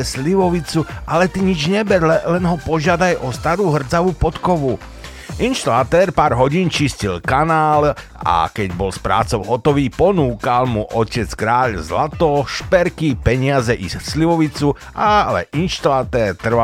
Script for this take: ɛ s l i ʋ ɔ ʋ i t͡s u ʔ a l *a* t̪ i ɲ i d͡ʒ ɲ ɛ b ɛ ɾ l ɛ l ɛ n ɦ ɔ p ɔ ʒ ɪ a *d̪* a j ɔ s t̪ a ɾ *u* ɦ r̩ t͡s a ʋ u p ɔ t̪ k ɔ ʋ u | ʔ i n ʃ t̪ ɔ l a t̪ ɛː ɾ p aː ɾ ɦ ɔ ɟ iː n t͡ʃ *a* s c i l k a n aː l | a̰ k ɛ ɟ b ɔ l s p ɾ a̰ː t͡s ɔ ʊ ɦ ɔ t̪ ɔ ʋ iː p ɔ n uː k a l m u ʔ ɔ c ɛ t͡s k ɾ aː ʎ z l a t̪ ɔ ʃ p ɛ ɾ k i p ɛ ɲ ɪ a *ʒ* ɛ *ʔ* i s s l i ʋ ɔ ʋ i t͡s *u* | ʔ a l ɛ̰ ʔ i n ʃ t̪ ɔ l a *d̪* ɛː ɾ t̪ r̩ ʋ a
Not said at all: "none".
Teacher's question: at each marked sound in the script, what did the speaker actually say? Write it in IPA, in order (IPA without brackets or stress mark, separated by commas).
ɛ, d̪, uː, i, z, ʔ, u, t̪